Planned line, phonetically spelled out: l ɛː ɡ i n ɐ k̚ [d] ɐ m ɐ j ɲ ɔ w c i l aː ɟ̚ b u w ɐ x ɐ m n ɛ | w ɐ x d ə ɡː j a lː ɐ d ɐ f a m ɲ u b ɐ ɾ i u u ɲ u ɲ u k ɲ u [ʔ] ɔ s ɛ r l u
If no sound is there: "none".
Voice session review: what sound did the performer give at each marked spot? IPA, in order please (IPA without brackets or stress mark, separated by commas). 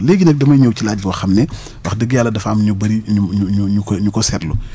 d, k